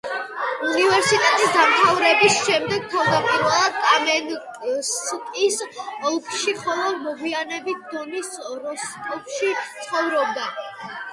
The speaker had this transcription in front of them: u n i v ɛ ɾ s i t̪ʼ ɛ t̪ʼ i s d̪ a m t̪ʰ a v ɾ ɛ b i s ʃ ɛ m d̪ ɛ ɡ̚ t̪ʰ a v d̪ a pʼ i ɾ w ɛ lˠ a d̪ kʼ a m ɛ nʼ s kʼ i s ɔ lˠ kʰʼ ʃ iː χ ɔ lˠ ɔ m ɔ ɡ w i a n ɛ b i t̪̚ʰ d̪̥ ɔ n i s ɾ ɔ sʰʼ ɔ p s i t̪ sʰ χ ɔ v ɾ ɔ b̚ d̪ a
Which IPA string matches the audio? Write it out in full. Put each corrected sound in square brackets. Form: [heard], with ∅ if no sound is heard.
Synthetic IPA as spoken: u n i v ɛ ɾ s i t̪ʼ ɛ t̪ʼ i s d̪ a m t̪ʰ a v ɾ ɛ b i s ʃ ɛ m d̪ ɛ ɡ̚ t̪ʰ a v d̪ a pʼ i ɾ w ɛ lˠ a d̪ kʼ a m ɛ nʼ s kʼ i s ɔ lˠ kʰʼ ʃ [i] χ ɔ lˠ ɔ m ɔ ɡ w i a n ɛ b i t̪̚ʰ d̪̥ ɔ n i s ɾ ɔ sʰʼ ɔ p [ʃ] i t̪ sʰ χ ɔ v ɾ ɔ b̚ d̪ a